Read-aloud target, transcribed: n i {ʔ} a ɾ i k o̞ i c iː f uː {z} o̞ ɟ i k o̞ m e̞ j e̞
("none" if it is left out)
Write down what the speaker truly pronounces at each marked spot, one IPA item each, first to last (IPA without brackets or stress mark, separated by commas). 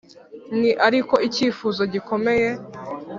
ʔ, z